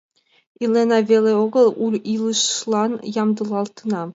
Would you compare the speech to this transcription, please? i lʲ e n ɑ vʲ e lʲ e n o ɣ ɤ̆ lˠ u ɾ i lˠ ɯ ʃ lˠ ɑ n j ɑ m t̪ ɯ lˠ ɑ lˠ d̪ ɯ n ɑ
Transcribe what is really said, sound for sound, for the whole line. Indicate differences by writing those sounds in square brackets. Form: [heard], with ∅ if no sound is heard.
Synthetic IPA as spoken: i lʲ e n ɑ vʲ e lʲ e [∅] o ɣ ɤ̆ lˠ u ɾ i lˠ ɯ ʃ lˠ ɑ n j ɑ m [d̪] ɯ lˠ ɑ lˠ [t̪] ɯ n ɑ